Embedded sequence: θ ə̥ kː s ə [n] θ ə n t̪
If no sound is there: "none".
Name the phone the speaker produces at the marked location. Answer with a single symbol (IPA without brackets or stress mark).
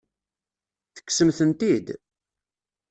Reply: m